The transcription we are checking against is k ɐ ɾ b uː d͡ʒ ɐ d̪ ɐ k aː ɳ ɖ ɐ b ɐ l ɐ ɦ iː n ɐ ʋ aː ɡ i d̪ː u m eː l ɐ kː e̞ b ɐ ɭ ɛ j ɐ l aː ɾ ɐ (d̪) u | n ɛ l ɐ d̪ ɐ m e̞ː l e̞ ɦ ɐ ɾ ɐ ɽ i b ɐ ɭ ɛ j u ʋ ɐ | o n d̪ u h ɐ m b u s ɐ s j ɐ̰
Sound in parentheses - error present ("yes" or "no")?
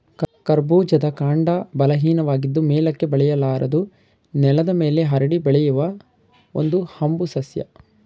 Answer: no